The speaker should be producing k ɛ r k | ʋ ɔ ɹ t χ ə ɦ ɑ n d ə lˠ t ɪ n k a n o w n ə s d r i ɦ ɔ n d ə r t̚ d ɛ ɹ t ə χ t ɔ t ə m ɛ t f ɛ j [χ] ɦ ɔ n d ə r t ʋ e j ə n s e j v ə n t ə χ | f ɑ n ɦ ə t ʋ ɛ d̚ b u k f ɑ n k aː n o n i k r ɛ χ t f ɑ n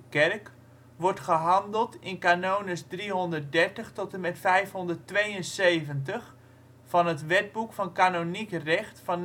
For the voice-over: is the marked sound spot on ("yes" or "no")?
no